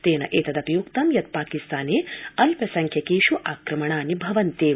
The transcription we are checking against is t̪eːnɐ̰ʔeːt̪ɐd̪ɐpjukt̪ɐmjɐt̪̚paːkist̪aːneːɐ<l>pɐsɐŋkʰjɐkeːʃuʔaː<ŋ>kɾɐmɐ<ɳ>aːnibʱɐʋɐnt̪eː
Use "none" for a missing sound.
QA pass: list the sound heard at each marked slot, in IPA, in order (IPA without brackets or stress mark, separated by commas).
l, none, ɳ